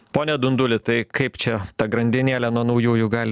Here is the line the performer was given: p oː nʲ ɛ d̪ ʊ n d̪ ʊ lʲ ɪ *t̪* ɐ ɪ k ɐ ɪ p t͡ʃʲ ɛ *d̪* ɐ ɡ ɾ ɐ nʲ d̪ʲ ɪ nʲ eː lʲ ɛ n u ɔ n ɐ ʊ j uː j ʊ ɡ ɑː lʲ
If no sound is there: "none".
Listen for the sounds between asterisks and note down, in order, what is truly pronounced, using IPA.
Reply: t̪, t̪

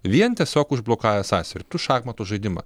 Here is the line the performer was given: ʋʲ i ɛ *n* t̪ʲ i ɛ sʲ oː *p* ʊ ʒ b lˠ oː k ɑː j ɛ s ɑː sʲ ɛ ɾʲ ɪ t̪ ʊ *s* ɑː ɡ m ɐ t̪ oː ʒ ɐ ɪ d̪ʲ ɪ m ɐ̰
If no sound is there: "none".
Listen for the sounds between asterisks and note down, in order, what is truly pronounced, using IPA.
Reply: n, k, ʃ

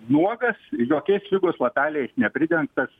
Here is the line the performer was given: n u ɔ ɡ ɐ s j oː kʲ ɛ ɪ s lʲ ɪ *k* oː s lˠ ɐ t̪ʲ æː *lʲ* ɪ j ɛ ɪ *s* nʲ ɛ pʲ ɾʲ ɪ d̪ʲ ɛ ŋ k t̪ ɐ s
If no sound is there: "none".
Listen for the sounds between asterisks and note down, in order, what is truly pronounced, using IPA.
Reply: ɡ, lʲ, s

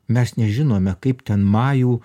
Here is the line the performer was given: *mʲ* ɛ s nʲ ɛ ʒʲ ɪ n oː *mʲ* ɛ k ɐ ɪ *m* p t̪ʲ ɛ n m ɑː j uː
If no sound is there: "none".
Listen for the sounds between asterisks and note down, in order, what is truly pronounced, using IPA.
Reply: mʲ, mʲ, none

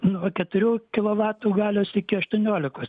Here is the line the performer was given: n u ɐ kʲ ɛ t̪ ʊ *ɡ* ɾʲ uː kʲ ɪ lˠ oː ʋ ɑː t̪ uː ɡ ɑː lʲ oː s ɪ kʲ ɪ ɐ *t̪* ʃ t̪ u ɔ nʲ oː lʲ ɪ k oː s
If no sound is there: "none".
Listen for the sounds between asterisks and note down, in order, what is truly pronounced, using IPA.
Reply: none, none

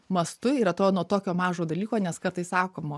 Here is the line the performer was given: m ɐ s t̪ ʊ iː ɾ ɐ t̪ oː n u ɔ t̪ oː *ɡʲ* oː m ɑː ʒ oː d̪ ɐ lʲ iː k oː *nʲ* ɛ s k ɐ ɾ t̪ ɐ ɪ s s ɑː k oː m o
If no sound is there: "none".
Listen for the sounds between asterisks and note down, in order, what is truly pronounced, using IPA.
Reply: kʲ, nʲ

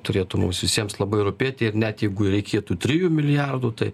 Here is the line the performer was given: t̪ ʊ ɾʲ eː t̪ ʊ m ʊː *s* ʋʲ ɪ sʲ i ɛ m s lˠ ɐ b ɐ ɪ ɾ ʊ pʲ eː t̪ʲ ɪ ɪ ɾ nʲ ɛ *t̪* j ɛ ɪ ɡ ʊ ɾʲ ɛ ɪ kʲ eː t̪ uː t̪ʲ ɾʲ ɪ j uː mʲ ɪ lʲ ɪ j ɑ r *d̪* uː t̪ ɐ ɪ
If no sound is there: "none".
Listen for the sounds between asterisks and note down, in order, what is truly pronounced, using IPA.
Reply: s, t̪, d̪

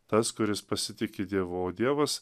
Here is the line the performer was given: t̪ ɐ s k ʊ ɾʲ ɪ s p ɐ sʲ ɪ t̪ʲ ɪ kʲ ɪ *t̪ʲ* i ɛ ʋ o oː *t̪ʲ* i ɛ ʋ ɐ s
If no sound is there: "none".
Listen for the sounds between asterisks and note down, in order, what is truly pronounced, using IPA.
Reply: d̪ʲ, d̪ʲ

